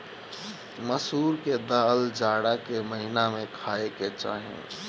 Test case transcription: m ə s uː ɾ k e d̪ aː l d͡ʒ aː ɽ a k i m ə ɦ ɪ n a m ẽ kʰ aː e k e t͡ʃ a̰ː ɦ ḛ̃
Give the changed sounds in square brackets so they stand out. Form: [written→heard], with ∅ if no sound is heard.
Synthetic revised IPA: m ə s uː ɾ k e d̪ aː l d͡ʒ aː ɽ a k [i→e] m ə ɦ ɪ n a m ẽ kʰ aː e k e t͡ʃ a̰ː ɦ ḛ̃